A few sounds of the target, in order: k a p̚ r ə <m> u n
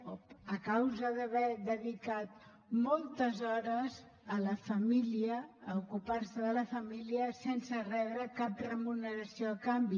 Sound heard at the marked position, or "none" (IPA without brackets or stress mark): m